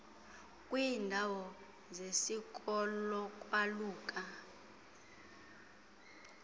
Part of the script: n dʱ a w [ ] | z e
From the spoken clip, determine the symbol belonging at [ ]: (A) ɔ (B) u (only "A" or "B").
A